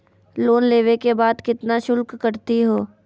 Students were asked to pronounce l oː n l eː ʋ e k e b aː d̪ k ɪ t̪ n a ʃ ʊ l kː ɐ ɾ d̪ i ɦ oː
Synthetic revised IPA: l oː n l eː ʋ e k e b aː d̪ k ɪ t̪ n a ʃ ʊ l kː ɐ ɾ t̪ i ɦ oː